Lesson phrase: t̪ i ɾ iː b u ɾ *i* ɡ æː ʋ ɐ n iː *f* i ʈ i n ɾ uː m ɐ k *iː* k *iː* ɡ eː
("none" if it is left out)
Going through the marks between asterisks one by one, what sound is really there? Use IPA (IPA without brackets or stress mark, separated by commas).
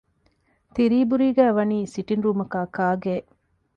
iː, s, aː, aː